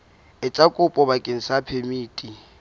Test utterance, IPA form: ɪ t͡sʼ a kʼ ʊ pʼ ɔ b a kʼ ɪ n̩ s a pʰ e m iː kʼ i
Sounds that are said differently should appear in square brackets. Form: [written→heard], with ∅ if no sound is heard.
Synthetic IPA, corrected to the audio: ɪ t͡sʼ a kʼ ʊ pʼ ɔ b a kʼ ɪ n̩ s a pʰ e m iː [kʼ→tʼ] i

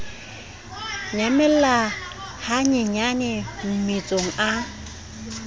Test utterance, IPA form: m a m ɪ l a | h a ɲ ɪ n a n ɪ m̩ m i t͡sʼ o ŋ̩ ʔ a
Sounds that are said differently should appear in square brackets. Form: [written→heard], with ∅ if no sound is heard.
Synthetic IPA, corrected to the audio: [m→ɲ] a m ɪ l a | h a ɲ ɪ [n→ɲ] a n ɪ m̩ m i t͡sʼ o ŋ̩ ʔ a

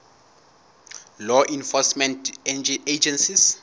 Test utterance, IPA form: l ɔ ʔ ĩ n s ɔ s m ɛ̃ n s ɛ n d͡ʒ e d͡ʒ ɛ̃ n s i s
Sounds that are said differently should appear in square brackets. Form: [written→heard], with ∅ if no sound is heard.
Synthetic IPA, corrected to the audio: l ɔ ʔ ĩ n [s→f] ɔ s m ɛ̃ n [s→t] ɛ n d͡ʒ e d͡ʒ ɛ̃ n s i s

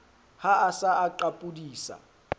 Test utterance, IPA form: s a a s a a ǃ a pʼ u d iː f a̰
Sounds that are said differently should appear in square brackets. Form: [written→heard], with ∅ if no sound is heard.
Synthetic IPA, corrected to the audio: [s→h] a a s a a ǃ a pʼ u d iː [f→s] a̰

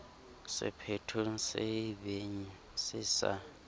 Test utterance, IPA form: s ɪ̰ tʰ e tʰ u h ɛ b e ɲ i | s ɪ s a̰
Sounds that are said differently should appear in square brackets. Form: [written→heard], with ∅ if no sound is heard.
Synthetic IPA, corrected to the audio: s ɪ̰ [tʰ→pʰ] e tʰ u [h→s] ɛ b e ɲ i | s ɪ s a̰

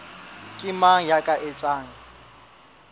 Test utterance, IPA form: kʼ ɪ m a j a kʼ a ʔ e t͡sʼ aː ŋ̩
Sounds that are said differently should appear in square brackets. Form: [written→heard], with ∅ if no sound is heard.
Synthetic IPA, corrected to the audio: kʼ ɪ m a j a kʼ a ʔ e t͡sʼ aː ŋ̩

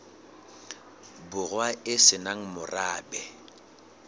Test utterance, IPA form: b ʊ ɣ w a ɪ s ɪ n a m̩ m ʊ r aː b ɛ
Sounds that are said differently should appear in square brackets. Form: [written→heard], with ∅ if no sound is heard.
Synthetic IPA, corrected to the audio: b ʊ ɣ w a ɪ s ɪ n a [m̩→ŋ̩] m ʊ r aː b ɛ

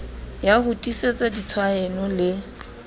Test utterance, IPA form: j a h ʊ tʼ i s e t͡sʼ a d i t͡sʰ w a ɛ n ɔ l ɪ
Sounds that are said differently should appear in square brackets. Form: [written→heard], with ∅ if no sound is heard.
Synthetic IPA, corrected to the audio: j a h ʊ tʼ i s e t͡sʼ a d i t͡sʰ w a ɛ n ɔ l ɪ

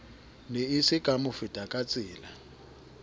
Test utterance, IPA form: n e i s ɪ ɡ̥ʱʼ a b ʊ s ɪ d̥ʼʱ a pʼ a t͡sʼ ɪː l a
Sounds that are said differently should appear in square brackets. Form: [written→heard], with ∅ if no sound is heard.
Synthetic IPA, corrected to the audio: n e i s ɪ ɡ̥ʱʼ a [b→m] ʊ [s→f] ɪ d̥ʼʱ a [pʼ→kʼ] a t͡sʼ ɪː l a

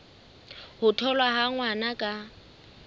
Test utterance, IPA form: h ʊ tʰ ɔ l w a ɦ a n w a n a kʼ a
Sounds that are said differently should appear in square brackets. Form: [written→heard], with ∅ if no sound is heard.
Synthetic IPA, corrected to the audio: h ʊ tʰ ɔ l w a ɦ a [n→ŋ] w a n a kʼ a

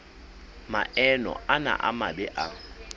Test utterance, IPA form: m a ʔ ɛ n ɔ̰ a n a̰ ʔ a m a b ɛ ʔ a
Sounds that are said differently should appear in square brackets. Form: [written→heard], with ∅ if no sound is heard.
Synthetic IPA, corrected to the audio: m a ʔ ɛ n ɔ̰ a n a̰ ʔ a m a b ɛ ʔ a

